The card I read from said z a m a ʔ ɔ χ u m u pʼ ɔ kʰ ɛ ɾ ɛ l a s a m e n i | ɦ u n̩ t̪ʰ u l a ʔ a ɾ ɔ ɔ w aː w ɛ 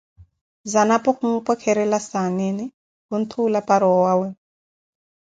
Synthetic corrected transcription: z a n a p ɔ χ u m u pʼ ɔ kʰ ɛ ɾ ɛ l a s a n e n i | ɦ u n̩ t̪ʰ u l a p a ɾ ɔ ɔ w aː w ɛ